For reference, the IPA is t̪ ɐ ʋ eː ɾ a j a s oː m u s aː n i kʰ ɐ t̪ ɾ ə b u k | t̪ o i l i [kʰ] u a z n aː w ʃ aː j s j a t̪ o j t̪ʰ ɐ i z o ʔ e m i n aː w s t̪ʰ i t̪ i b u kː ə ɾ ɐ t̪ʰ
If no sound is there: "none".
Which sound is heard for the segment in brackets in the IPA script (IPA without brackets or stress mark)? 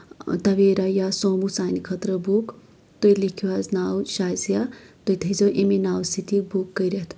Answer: kʰ